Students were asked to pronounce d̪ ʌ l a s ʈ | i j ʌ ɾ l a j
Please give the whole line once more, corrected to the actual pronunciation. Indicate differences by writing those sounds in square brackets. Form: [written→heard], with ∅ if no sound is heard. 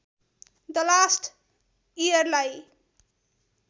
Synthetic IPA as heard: d̪ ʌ l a s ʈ | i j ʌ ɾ l a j